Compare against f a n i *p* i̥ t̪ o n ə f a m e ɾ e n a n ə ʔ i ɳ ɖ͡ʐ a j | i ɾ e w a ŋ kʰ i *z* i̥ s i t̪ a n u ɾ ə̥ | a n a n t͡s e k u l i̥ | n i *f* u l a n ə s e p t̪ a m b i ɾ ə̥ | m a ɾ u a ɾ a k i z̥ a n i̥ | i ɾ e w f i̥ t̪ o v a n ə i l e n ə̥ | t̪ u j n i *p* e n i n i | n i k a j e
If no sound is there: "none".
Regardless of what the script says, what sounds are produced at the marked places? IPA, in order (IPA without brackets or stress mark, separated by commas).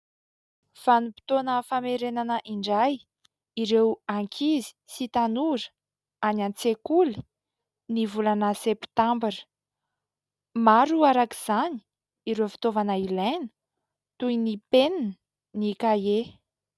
p, z, v, p